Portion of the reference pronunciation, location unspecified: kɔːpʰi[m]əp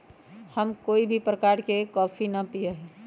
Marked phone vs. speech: incorrect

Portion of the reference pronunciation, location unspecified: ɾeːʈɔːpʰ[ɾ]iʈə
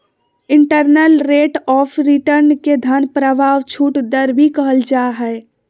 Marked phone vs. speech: correct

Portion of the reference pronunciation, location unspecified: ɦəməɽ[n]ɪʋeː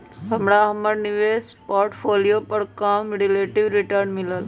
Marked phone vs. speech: correct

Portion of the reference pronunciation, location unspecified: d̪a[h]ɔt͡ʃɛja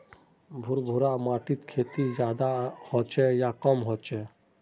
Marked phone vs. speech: correct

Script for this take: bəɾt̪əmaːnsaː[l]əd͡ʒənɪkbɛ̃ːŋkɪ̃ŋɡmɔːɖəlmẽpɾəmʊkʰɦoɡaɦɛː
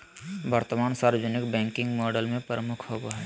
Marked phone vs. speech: incorrect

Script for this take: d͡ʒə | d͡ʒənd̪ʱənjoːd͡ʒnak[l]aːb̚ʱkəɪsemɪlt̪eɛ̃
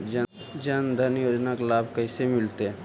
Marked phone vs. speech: correct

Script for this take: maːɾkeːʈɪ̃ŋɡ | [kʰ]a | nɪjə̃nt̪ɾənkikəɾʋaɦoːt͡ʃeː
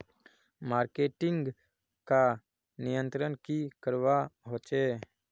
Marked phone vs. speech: incorrect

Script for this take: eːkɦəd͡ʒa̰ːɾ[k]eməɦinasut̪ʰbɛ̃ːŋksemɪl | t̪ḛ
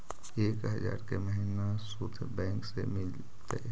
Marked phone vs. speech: correct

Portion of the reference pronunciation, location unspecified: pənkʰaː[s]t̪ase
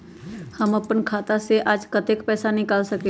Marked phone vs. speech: incorrect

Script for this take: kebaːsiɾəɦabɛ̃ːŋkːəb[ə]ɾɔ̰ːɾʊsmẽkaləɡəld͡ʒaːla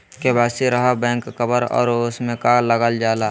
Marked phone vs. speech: correct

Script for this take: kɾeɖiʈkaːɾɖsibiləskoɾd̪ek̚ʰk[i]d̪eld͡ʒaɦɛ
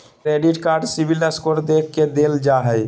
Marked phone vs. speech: incorrect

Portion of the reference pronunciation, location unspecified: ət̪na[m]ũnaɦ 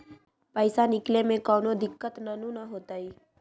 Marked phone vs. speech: incorrect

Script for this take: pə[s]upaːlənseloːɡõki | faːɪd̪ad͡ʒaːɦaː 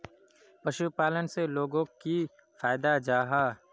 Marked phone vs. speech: incorrect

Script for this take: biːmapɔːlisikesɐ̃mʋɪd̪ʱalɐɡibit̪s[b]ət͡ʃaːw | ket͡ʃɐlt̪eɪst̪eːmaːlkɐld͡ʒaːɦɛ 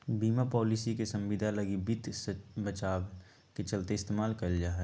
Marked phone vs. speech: correct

